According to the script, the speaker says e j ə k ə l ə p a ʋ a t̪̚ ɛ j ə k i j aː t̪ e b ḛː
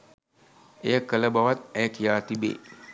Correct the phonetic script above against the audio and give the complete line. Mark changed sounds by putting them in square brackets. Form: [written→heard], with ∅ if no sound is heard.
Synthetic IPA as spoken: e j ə k ə l ə [p→b] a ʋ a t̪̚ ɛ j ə k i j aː t̪ [e→i] b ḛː